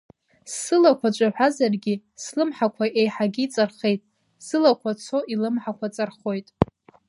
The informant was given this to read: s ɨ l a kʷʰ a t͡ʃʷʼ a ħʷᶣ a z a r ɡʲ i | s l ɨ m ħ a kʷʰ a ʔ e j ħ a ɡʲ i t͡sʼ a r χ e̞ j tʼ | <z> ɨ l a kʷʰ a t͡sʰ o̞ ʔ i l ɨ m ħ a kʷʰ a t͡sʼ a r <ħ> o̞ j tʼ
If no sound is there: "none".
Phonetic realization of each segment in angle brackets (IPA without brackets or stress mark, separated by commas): s, χ